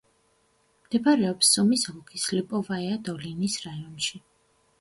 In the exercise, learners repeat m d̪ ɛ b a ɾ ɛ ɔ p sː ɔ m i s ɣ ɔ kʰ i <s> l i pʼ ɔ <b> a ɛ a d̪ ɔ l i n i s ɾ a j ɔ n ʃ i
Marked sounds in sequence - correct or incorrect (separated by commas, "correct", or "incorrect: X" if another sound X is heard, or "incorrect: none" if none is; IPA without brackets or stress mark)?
correct, incorrect: v